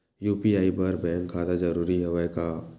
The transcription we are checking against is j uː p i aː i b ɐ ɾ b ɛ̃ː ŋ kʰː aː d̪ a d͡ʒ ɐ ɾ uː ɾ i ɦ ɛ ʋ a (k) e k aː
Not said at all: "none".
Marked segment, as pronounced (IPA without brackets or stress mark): none